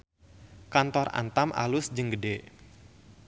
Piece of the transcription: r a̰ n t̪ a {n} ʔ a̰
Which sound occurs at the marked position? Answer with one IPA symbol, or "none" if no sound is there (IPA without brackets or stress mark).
m